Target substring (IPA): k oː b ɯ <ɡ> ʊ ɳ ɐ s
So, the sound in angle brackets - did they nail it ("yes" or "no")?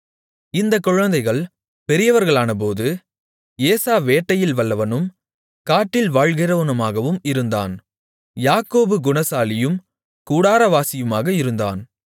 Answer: yes